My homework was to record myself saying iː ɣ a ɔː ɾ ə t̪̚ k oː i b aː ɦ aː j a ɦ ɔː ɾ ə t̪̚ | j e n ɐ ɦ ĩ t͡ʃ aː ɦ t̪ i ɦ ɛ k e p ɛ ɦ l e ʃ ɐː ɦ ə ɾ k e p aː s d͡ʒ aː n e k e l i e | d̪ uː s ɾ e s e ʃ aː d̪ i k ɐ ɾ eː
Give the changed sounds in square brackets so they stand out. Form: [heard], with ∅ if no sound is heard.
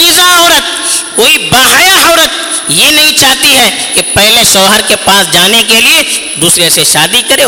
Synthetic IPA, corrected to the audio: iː [z] a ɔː ɾ ə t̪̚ k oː i b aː ɦ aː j a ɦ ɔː ɾ ə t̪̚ | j e n ɐ ɦ ĩ t͡ʃ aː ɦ t̪ i ɦ ɛ k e p ɛ ɦ l e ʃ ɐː ɦ ə ɾ k e p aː s d͡ʒ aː n e k e l i e | d̪ uː s ɾ e s e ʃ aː d̪ i k ɐ ɾ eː